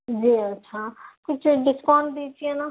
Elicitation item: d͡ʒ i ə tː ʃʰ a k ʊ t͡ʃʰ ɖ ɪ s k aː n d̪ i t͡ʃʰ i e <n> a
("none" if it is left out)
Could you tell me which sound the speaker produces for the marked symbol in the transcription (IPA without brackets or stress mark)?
n